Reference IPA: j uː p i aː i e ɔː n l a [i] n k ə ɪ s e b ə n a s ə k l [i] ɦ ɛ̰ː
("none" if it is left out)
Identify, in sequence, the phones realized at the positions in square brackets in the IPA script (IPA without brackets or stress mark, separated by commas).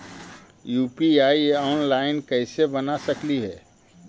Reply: ɪ, i